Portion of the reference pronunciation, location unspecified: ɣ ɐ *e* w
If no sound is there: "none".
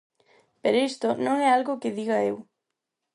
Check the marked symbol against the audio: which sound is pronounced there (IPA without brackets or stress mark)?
e